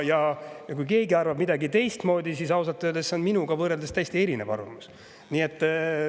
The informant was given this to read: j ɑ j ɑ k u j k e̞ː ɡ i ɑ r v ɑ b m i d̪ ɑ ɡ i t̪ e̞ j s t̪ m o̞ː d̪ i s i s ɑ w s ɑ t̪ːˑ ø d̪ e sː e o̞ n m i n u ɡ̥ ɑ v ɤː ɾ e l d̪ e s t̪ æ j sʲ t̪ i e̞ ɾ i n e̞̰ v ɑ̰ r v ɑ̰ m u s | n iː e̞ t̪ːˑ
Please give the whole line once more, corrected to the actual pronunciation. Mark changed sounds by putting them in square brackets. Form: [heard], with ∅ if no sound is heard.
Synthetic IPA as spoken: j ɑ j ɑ k u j k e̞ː ɡ i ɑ r v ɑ b m i d̪ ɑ ɡ i t̪ e̞ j s t̪ m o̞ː d̪ i s i s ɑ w s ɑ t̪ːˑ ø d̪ e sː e o̞ n m i n u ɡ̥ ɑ v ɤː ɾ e l d̪ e s t̪ æ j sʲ t̪ i e̞ ɾ i n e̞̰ v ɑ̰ r v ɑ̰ m u s | n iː e̞ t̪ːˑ

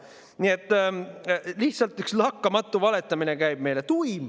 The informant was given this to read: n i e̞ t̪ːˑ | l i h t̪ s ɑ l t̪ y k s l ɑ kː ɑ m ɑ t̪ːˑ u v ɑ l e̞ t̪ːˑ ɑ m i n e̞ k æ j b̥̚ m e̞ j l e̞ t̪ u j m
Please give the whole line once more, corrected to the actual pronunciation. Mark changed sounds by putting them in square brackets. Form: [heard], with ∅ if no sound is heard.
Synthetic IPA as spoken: n i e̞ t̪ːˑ | l i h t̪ s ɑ l t̪ y k s l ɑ kː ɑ m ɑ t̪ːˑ u v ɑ l e̞ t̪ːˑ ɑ m i n e̞ k æ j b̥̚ m e̞ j l e̞ t̪ u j m

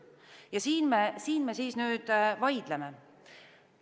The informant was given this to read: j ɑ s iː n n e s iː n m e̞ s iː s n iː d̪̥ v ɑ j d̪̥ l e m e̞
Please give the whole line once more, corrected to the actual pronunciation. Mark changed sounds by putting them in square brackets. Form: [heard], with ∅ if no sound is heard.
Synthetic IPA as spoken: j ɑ s iː n [m] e s iː n m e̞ s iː s n [yː] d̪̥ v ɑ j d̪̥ l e m e̞

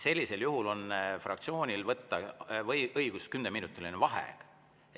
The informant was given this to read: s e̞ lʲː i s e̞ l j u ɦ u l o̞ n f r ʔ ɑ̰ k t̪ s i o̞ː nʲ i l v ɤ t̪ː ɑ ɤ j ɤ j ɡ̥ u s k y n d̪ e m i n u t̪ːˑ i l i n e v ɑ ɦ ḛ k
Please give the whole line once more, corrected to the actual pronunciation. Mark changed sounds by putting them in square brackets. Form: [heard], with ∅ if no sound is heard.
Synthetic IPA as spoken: s e̞ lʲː i s e̞ l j u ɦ u l o̞ n f r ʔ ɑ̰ k t̪ s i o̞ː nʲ i l v ɤ t̪ː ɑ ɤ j ɤ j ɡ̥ u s k y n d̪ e m i n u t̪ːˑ i l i n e v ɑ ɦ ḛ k

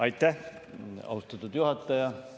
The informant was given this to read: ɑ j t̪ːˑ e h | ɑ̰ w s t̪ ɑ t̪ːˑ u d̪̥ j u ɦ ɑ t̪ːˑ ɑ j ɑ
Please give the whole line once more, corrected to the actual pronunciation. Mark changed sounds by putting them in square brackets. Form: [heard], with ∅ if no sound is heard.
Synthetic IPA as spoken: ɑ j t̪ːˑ [æ] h | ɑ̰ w s t̪ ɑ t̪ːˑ u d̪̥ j u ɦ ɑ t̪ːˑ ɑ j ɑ

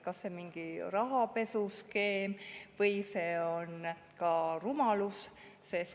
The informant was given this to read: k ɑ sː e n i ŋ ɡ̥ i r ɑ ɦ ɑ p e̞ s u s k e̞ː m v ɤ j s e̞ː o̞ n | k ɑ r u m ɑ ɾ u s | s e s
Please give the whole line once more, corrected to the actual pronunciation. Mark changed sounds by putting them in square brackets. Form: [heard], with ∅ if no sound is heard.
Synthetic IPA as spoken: k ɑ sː e [m] i ŋ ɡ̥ i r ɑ ɦ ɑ p e̞ s u s k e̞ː m v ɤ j s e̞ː o̞ n | k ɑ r u m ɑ [l] u s | s e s

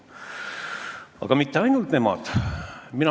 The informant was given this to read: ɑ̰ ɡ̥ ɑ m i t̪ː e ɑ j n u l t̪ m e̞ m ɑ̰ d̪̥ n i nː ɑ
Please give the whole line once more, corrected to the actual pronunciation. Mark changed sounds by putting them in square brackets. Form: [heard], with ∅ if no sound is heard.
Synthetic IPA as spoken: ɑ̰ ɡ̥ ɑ m i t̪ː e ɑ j n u l t̪ [n] e̞ m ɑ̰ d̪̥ [m] i [n] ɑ

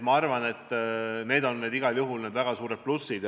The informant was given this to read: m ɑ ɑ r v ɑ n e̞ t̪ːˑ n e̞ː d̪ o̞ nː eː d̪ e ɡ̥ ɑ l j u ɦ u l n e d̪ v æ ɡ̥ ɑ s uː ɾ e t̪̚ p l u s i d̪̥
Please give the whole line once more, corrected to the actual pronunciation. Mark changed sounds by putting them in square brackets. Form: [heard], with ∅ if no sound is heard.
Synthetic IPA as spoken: m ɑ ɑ r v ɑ n e̞ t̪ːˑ n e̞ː d̪ o̞ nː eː d̪ [i] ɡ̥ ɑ l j u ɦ u l n e d̪ v æ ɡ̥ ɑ s uː ɾ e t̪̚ p l u s i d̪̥

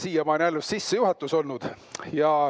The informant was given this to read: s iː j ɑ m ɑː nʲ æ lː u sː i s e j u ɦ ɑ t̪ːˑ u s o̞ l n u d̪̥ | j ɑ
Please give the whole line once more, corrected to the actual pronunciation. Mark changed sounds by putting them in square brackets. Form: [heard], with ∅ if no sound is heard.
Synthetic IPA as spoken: s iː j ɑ m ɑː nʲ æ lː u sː i [sː] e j u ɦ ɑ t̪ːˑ u s o̞ l n u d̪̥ | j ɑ

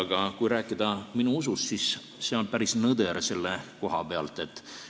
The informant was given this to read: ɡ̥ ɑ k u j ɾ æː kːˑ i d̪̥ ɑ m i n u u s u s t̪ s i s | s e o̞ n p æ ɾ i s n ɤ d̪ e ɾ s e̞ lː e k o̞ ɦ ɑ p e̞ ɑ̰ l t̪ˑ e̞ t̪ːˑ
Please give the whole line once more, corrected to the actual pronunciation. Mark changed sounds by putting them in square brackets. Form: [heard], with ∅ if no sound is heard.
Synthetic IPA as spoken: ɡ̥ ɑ k u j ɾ æː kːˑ i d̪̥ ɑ m i n u u s u s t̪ s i s | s e o̞ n p æ ɾ i s n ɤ d̪ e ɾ s e̞ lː e k o̞ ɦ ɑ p e̞ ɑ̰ l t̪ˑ e̞ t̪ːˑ

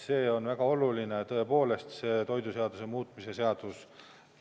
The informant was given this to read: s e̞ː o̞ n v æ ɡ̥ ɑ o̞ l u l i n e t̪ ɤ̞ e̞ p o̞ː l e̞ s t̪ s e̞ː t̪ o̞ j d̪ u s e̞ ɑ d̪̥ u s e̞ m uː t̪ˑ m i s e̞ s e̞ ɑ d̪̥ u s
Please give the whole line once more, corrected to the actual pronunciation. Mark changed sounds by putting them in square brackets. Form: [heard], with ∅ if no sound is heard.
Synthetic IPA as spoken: s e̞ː o̞ n v æ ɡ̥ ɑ o̞ l u l i n e t̪ ɤ̞ e̞ p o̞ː l e̞ s t̪ s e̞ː t̪ o̞ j d̪ u s e̞ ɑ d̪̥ u s e̞ m uː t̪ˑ m i s e̞ s e̞ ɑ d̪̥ u s

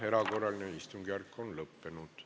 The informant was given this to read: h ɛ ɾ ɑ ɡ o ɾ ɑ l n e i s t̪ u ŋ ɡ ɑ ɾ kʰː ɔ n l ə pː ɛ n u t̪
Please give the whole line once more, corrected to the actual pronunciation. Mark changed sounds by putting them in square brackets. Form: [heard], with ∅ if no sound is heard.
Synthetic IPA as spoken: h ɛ ɾ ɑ ɡ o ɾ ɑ l n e i s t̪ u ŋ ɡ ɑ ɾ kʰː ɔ n l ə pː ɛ n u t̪

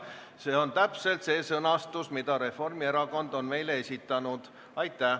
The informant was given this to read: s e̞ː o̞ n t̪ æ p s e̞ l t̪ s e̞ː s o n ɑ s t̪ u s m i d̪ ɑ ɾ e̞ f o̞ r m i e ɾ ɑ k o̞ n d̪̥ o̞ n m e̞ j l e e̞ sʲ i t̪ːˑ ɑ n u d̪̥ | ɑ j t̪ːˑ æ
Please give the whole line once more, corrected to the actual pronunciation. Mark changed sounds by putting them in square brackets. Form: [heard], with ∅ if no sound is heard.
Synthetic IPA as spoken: s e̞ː o̞ n t̪ æ p s e̞ l t̪ s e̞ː s [ɤ] n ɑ s t̪ u s m i d̪ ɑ ɾ e̞ f o̞ r m i e ɾ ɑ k o̞ n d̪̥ o̞ n m e̞ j l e e̞ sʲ i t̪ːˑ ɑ n u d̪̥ | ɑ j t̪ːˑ æ

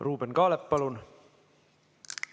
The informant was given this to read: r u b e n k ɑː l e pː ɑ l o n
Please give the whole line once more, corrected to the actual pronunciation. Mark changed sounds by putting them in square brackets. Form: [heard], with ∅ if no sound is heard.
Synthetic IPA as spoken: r [uː] b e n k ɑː l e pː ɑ l [u] n

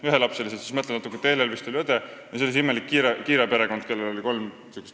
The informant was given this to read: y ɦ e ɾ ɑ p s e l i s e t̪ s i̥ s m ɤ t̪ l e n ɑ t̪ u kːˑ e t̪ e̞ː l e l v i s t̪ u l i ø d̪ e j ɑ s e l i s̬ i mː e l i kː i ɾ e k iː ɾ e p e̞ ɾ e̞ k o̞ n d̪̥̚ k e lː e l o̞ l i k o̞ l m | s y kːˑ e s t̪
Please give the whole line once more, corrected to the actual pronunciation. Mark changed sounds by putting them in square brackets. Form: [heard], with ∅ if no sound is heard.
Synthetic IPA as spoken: y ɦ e [l] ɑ p s e l i s e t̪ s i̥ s m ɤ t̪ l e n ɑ t̪ u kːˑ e t̪ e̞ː l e l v i s t̪ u l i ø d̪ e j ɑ s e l i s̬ i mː e l i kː i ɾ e k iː ɾ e p e̞ ɾ e̞ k o̞ n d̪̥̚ k e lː e l o̞ l i k o̞ l m | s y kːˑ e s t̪

